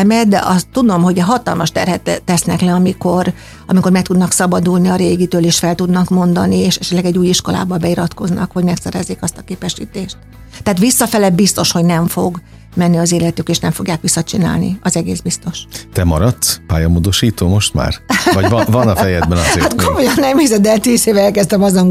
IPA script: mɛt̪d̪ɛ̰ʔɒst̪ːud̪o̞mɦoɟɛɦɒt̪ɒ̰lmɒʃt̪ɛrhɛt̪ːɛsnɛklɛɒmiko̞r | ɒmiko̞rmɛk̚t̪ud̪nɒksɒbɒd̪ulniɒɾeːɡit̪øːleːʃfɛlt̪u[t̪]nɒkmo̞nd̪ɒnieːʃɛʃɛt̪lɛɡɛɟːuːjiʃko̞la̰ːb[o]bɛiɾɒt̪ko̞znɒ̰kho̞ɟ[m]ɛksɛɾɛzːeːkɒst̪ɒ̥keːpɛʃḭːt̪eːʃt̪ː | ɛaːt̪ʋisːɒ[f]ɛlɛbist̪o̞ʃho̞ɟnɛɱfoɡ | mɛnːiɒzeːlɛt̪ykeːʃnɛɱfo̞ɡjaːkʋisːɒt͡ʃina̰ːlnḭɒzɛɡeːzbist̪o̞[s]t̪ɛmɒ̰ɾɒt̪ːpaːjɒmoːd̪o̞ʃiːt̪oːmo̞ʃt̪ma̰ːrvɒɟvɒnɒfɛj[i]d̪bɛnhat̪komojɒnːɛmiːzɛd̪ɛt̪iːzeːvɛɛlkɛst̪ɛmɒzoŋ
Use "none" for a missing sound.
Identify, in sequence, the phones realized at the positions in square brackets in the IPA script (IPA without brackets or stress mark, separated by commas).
d̪, ɒ, m, f, ʃ, ɛ